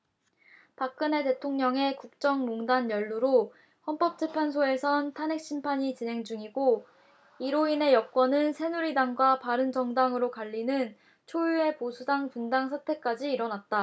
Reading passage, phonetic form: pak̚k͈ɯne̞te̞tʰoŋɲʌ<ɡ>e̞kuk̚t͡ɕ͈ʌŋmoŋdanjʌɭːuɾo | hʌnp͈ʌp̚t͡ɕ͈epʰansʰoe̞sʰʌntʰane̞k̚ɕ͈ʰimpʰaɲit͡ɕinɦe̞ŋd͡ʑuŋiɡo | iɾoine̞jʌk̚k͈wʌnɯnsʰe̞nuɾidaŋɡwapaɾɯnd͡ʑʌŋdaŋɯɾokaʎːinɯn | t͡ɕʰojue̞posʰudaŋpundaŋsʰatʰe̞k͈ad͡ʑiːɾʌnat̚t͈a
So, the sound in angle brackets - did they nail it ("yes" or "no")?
no